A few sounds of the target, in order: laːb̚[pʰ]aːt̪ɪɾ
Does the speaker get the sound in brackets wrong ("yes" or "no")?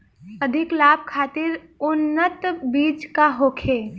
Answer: yes